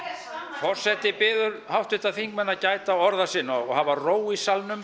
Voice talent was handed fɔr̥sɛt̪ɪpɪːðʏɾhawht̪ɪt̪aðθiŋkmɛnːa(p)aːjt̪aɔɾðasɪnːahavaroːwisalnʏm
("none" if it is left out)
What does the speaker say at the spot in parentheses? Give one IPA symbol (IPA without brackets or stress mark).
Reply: c